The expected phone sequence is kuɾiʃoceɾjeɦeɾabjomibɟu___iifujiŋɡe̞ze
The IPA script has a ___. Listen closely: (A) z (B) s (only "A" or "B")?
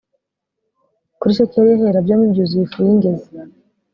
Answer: A